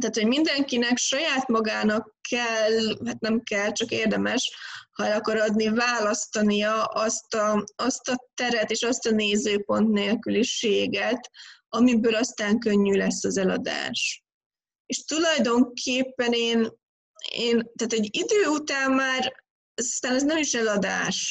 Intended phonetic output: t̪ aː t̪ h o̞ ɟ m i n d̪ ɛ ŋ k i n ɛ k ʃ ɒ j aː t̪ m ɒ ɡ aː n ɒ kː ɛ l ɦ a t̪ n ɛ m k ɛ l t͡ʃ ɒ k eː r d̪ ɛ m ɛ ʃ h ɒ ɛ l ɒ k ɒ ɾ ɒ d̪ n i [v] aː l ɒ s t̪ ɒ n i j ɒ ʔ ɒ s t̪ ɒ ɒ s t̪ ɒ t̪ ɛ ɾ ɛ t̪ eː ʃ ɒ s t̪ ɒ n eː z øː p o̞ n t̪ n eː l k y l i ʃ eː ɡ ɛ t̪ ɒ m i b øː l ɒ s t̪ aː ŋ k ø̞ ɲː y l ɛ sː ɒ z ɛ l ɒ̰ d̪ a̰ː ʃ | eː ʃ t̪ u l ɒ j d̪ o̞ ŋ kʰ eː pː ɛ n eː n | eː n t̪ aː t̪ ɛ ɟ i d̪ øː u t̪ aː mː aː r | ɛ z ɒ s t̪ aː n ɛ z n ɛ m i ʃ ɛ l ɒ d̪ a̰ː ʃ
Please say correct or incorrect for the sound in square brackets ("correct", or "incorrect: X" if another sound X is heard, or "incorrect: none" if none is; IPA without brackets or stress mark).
correct